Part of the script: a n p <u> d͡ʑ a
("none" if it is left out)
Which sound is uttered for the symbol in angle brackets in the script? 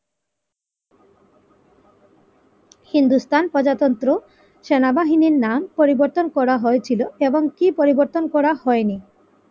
ɔ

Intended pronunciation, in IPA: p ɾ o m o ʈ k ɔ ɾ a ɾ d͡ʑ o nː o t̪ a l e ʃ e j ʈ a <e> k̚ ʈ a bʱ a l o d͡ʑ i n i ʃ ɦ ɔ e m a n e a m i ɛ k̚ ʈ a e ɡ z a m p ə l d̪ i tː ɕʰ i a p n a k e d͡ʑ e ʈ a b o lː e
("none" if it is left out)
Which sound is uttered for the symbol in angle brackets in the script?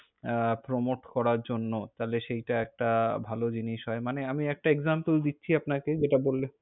ɛ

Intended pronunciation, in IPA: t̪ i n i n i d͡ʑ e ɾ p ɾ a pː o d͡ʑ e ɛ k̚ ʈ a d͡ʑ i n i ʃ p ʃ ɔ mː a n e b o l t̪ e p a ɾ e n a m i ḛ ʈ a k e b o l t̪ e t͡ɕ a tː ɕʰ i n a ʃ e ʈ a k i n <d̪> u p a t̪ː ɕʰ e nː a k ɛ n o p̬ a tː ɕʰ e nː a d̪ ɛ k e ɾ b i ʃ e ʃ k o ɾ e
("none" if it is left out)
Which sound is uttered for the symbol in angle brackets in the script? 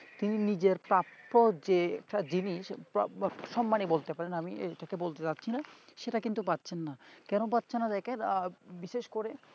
t̪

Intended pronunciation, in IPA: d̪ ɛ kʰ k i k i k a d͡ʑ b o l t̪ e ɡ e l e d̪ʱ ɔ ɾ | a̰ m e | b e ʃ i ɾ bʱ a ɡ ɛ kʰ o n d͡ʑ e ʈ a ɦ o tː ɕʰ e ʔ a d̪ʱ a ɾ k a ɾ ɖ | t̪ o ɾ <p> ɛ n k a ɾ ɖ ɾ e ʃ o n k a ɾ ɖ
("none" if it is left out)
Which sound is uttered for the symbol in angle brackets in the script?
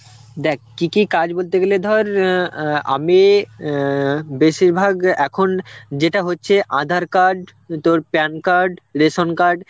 p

